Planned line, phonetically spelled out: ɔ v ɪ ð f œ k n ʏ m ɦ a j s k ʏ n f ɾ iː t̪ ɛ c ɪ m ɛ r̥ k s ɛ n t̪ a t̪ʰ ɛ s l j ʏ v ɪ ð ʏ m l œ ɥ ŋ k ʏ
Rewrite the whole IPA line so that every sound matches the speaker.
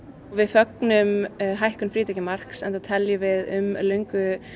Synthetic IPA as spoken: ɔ v ɪ ð f œ k n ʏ m ɦ a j h k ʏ n f ɾ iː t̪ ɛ c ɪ m a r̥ k s ɛ n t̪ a t̪ʰ ɛ l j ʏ v ɪ ð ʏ m l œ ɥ ŋ k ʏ